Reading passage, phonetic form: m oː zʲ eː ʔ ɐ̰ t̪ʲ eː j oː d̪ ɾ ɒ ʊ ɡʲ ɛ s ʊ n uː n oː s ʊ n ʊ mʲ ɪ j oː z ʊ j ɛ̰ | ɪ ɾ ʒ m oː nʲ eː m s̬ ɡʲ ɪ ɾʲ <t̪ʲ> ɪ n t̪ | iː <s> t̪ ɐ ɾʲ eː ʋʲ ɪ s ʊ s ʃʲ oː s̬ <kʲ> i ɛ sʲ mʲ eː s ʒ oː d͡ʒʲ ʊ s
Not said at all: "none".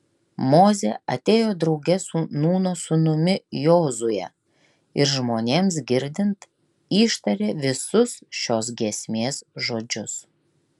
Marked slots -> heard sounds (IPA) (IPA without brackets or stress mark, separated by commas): d̪ʲ, ʃ, ɡʲ